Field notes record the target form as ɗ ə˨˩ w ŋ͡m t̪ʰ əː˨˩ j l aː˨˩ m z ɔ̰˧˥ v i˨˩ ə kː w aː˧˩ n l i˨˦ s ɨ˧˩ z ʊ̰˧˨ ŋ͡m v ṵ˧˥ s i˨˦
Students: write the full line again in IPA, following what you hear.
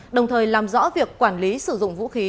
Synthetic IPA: ɗ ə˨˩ w ŋ͡m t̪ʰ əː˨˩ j l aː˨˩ m z ɔ̰˧˥ v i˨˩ ə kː w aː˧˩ n l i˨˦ s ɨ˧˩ z ʊ̰˧˨ ŋ͡m v ṵ˧˥ x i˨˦

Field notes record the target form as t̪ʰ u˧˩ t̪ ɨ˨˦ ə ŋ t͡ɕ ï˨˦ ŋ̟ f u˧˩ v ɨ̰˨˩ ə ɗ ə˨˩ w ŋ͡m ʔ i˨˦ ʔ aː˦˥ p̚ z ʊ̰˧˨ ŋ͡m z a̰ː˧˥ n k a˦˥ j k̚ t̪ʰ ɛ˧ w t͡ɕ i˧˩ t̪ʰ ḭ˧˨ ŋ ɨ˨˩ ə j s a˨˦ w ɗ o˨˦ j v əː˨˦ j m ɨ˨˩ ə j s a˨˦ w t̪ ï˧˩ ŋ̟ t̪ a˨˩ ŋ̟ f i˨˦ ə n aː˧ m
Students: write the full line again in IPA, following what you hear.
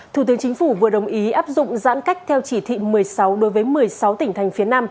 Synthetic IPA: t̪ʰ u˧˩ t̪ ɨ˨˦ ə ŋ t͡ɕ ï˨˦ ŋ̟ f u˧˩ v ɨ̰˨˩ ə ɗ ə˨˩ w ŋ͡m ʔ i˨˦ ʔ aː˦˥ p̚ z ʊ̰˧˨ ŋ͡m z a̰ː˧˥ n k a˦˥ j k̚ t̪ʰ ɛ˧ w t͡ɕ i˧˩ t̪ʰ ḭ˧˨ m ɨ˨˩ ə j s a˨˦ w ɗ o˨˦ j v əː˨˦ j m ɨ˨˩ ə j s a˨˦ w t̪ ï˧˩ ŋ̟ t̪ʰ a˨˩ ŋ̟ f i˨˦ ə n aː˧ m

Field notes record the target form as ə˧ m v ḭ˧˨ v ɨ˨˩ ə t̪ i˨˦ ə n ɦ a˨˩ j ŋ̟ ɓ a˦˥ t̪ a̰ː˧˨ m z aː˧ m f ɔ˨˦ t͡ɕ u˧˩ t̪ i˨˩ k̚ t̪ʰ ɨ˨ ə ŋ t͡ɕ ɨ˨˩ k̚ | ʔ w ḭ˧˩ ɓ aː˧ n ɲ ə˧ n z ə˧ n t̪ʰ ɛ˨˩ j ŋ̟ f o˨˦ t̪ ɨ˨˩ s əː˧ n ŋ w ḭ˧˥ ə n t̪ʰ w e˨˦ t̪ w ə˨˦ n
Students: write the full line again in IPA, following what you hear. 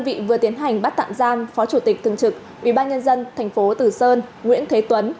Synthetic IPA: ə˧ n v ḭ˧˨ v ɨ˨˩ ə t̪ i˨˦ ə n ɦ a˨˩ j ŋ̟ ɓ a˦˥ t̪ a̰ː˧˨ m z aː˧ m f ɔ˨˦ t͡ɕ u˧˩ t̪ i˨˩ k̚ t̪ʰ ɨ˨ ə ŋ t͡ɕ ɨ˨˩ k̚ | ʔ w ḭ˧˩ ɓ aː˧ n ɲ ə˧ n z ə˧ n t̪ʰ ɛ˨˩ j ŋ̟ f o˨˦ t̪ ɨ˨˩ s əː˧ n ŋ w ḭ˧˥ ə n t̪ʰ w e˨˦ t̪ w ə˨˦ n

